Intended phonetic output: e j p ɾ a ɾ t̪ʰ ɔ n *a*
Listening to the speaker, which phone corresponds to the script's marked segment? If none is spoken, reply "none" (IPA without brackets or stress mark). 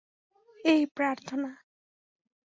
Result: a